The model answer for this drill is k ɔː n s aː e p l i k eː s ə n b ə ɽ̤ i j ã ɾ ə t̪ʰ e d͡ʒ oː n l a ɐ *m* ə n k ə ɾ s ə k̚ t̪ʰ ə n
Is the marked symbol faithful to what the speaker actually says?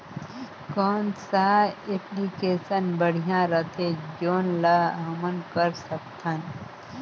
yes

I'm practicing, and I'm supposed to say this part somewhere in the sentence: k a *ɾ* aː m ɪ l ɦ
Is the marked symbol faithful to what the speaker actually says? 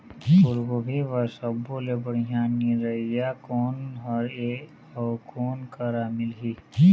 yes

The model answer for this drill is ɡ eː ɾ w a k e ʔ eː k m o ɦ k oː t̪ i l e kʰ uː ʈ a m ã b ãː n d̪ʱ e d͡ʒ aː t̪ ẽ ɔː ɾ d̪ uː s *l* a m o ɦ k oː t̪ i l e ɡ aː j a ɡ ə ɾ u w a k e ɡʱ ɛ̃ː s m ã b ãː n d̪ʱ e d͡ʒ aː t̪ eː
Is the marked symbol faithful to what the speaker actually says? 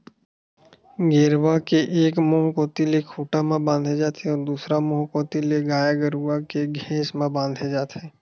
no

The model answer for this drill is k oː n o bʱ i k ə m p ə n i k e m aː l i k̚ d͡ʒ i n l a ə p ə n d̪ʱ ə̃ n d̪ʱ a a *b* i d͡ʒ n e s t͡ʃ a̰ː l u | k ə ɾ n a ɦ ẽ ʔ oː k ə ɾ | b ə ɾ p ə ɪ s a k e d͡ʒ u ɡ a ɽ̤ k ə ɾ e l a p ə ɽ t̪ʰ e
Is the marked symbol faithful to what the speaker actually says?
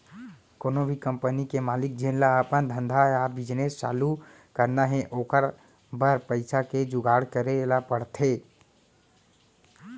yes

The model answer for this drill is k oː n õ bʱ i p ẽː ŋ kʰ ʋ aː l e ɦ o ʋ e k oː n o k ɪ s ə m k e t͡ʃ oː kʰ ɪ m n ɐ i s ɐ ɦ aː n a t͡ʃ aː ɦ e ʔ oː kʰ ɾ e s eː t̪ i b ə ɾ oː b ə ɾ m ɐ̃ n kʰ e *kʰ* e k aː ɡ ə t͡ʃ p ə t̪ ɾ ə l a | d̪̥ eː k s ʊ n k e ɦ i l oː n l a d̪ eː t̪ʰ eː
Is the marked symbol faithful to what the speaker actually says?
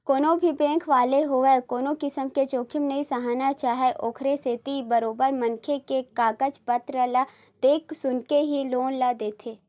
no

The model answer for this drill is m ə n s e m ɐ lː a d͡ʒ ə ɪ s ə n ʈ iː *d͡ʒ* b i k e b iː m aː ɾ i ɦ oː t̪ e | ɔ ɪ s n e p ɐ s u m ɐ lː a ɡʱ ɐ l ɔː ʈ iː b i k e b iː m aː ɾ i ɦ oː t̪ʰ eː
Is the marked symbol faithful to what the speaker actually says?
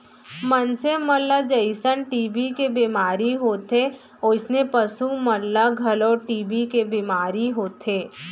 no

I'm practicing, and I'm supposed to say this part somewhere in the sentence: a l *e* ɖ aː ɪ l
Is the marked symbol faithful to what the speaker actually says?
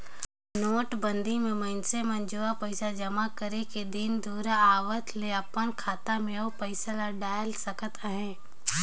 no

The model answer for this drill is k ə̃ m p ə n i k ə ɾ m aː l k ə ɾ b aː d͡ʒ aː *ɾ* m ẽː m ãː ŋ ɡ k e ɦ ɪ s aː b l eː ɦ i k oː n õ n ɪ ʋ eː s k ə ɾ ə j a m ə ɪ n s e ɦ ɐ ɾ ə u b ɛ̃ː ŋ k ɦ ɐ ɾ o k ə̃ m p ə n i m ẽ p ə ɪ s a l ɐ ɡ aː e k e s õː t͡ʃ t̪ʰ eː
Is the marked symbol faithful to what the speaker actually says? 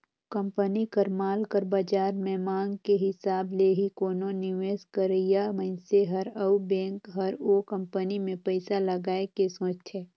yes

